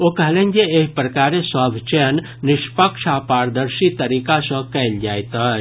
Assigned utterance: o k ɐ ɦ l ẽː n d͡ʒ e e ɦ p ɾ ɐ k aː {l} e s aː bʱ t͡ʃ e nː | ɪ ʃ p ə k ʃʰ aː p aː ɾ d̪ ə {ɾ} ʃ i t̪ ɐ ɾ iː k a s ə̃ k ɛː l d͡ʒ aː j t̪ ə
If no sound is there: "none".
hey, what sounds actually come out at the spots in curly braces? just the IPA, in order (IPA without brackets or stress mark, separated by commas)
ɾ, ɾ